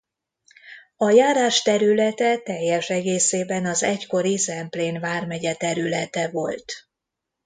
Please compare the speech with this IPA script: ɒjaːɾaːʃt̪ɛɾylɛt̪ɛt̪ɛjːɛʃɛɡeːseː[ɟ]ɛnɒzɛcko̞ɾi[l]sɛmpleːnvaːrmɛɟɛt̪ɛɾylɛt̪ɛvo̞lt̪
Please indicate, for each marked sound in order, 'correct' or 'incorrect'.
incorrect: b, incorrect: none

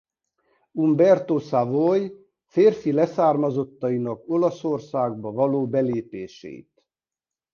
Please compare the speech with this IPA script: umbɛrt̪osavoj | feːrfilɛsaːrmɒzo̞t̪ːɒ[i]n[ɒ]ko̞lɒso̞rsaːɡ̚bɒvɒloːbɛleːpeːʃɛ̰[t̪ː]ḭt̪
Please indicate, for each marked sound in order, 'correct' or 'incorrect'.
correct, correct, incorrect: none

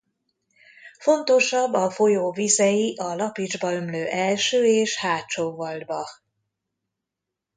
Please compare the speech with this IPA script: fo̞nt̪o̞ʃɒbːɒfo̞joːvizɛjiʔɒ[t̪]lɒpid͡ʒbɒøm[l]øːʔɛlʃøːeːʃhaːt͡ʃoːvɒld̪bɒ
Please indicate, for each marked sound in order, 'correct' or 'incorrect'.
incorrect: none, correct

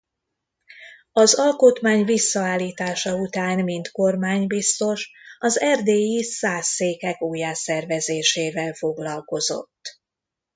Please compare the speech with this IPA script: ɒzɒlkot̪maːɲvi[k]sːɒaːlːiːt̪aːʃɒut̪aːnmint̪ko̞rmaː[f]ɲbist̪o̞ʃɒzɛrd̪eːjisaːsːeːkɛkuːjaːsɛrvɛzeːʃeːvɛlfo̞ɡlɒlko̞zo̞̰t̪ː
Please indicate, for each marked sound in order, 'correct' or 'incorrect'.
incorrect: none, incorrect: none

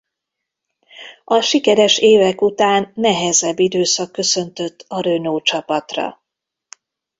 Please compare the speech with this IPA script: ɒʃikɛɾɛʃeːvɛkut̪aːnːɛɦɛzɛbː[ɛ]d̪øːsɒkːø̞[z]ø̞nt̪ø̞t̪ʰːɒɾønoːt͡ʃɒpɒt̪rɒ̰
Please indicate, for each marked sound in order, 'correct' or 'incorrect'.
incorrect: i, incorrect: s

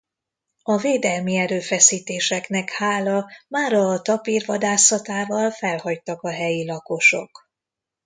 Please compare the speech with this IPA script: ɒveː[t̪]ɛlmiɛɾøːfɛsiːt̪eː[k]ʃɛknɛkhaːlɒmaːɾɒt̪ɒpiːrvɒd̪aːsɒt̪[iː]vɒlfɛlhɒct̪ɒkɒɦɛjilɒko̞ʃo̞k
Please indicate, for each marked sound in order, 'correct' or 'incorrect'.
incorrect: d̪, incorrect: none, incorrect: aː

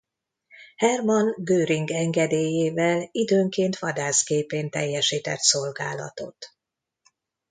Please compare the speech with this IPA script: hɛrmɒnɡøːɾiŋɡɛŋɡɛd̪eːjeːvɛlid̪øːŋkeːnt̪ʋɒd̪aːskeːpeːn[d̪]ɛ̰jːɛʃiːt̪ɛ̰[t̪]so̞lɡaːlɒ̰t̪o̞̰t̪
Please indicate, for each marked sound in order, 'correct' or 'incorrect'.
incorrect: t̪, correct

